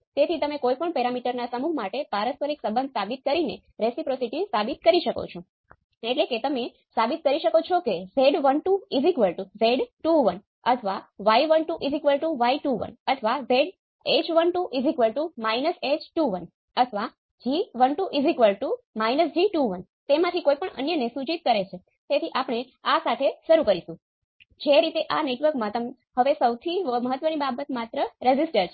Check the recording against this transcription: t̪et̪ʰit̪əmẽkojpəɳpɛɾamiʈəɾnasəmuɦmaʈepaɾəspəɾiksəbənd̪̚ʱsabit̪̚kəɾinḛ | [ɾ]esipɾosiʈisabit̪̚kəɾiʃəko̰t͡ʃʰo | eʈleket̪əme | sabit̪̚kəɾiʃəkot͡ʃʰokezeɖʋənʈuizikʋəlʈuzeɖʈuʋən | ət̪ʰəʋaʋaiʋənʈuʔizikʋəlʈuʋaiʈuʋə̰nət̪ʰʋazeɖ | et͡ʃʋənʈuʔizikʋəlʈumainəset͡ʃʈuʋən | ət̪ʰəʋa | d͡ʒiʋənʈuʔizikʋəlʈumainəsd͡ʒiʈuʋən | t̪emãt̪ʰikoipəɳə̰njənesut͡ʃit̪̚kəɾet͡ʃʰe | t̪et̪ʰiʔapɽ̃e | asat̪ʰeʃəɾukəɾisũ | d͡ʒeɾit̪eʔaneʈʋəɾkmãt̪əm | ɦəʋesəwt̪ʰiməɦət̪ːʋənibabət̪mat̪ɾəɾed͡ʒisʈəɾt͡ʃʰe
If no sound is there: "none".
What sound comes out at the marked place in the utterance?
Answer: ɾ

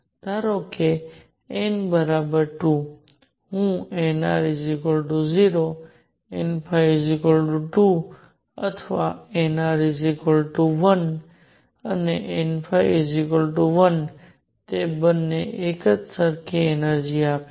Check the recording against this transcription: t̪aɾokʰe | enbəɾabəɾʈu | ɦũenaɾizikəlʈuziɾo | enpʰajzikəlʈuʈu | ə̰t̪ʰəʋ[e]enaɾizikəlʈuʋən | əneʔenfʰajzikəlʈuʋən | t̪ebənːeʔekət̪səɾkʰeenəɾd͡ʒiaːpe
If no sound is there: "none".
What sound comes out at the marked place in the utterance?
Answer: a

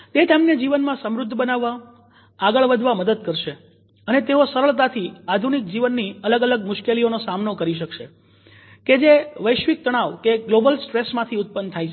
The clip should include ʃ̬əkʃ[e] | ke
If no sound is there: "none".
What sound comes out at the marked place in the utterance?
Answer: e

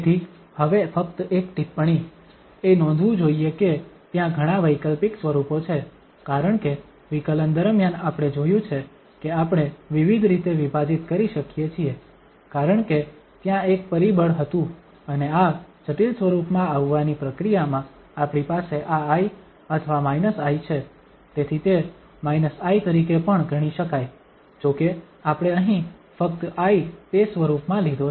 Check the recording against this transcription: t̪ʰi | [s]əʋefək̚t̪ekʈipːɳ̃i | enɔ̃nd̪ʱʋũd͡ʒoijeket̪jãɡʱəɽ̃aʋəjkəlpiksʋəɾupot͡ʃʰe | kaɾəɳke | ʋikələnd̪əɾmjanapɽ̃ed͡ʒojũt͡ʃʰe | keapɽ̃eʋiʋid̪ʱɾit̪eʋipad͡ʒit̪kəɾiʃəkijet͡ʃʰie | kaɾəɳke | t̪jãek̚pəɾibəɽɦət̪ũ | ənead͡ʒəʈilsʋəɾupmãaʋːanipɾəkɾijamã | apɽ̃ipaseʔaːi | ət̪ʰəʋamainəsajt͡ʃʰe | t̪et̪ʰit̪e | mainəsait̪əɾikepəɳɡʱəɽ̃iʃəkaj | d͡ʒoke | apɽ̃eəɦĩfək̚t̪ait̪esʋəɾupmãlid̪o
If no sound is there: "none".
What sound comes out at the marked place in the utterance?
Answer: h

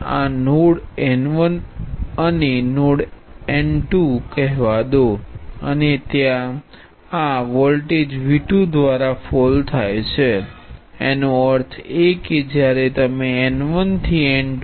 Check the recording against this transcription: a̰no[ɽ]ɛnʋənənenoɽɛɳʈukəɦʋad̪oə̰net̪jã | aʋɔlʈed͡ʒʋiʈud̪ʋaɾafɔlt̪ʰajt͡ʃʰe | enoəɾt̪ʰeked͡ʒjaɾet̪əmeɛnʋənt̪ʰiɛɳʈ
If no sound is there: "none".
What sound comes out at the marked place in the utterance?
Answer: ɽ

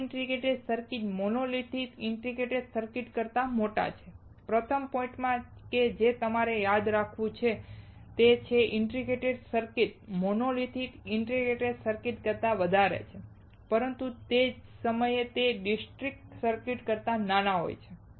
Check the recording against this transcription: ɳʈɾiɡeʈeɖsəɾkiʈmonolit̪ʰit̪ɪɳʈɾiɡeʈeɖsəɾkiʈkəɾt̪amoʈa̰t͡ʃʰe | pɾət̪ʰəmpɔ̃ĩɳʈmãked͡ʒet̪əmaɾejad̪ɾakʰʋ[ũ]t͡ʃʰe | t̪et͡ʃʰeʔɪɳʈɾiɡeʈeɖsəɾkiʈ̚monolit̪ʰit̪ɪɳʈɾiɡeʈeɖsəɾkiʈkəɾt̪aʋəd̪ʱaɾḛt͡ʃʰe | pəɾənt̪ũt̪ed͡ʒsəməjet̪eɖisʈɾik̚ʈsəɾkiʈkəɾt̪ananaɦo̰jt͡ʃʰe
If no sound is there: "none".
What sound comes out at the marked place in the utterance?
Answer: ũ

